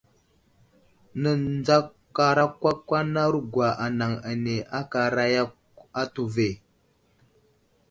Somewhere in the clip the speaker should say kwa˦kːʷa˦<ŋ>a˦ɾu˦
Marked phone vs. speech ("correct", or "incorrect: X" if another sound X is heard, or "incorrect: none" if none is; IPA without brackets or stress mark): incorrect: n